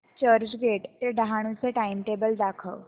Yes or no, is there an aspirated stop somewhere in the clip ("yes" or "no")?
yes